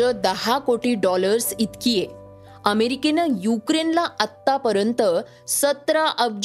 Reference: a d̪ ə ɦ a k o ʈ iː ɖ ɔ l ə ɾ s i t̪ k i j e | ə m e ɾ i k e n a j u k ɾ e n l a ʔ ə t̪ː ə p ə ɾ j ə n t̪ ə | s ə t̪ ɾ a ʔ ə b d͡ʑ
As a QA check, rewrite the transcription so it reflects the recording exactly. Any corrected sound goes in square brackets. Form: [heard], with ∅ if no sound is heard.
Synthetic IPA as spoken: [ə] d̪ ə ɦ a k o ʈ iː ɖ ɔ l ə ɾ s i t̪ k i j e | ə m e ɾ i k e n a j u k ɾ e n l a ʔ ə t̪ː [a] p ə ɾ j ə n t̪ ə | s ə t̪ ɾ a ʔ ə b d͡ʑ